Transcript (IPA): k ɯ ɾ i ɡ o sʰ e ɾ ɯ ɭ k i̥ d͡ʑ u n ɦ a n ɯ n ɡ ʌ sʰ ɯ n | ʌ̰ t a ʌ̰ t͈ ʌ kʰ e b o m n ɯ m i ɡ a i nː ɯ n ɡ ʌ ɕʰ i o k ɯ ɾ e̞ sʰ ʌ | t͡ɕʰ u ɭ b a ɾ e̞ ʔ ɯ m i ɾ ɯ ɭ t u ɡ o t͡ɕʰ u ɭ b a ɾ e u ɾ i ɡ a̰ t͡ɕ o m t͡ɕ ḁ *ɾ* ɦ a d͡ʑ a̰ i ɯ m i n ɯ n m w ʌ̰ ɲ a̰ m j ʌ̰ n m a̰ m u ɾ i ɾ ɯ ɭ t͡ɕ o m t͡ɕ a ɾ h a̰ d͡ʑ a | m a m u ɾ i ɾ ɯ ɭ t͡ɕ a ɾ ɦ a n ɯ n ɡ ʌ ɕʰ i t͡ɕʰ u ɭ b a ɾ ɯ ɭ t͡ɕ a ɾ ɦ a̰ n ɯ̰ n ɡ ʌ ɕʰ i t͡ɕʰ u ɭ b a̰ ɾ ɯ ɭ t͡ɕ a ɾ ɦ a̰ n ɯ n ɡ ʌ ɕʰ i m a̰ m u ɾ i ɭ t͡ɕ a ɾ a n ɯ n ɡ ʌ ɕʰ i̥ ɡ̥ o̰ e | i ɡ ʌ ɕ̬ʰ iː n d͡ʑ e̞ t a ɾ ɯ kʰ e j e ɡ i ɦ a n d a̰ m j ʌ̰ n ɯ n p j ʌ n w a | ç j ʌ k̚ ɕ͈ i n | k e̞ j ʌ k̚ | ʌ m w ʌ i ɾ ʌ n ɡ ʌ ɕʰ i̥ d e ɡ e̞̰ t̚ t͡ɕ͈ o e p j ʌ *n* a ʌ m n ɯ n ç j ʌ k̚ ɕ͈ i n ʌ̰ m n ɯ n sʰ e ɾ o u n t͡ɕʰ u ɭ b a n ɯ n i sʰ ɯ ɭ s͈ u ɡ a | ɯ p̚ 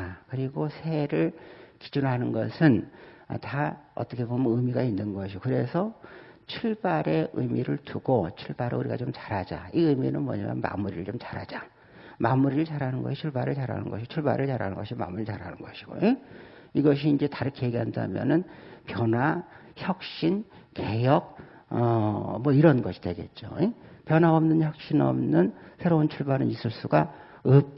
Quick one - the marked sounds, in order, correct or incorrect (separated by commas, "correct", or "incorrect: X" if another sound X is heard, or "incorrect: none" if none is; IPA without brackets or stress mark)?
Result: correct, correct